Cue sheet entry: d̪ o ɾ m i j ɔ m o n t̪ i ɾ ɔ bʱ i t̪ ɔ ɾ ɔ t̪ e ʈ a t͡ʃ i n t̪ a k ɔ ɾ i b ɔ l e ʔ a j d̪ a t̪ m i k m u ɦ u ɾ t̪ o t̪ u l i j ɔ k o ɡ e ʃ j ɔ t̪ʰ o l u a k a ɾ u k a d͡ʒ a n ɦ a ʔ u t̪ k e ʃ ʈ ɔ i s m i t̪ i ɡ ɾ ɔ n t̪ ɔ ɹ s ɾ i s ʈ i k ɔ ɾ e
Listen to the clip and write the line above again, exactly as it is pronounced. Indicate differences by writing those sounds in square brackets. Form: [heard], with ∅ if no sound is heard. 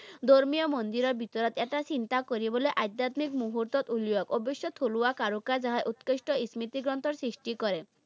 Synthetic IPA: d̪ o ɾ m i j ɔ m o n [d̪] i ɾ ɔ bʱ i t̪ ɔ ɾ ɔ t̪ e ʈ a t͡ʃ i n t̪ a k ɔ ɾ i b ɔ l e ʔ a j d̪ a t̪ m i k m u ɦ u ɾ t̪ [ɔ] t̪ u l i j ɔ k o [b] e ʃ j ɔ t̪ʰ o l u a k a ɾ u k a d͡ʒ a [∅] ɦ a ʔ u t̪ k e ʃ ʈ ɔ i s m i t̪ i ɡ ɾ ɔ n t̪ ɔ [ɾ] s ɾ i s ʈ i k ɔ ɾ e